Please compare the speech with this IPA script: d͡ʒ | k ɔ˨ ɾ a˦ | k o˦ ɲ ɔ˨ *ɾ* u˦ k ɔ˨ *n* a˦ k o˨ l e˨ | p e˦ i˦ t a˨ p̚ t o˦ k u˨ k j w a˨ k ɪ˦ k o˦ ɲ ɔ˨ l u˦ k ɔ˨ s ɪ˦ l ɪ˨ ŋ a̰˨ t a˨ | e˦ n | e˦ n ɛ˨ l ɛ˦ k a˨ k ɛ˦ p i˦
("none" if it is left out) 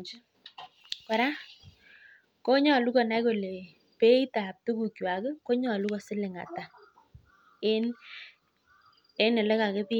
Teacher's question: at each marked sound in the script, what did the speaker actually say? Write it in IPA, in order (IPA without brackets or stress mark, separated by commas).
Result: l, n